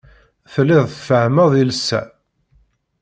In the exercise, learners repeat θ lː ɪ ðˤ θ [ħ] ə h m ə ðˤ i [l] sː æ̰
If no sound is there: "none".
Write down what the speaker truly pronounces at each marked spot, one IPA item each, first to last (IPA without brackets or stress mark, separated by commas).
f, l